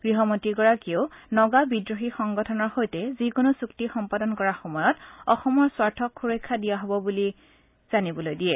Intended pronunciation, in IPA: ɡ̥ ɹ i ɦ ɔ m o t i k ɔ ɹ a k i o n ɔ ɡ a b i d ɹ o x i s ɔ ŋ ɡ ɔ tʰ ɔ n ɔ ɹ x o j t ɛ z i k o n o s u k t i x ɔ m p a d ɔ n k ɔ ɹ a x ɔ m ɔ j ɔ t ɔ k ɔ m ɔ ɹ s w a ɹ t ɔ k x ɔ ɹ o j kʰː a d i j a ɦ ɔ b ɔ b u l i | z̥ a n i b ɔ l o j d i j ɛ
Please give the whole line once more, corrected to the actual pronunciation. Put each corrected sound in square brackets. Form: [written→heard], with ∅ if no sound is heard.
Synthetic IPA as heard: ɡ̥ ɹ i ɦ ɔ m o t i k ɔ ɹ a k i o n ɔ ɡ a b i d ɹ o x i [s→x] ɔ ŋ ɡ ɔ tʰ ɔ n ɔ ɹ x o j t ɛ z i k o n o s u k t i x ɔ m p a d ɔ n k ɔ ɹ a x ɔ m ɔ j ɔ t ɔ [k→x] ɔ m ɔ ɹ s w a ɹ [t→tʰ] ɔ k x [ɔ→u] ɹ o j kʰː a d i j a ɦ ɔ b ɔ b u l i | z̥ a n i b ɔ l o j d i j ɛ